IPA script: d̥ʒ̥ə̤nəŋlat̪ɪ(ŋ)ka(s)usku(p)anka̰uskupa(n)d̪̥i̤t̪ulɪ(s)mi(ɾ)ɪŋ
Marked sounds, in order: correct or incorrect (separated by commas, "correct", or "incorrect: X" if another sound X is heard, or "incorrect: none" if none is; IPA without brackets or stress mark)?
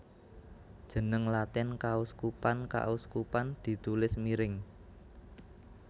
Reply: incorrect: n, incorrect: none, correct, correct, correct, correct